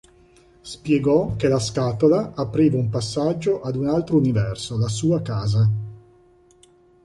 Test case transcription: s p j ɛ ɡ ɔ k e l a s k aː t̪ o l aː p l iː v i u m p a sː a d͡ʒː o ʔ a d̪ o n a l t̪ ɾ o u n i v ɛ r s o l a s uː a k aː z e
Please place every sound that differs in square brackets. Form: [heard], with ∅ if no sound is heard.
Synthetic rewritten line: s p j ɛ ɡ ɔ k e l a s k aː t̪ o l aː p [ɾ] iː v [a] u m p a sː a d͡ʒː o ʔ a d̪ [u] n a l t̪ ɾ o u n i v ɛ r s o l a s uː a k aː z [a]